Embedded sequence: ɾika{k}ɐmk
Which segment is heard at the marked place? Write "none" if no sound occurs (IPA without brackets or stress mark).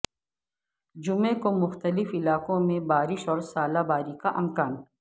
ʔ